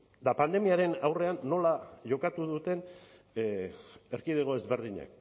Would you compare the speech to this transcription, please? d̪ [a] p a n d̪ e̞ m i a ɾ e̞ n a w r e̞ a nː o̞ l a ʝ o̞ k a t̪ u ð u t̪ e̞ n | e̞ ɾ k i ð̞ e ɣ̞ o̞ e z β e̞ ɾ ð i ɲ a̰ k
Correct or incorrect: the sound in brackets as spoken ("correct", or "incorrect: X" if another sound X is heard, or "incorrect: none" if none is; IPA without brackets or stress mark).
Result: correct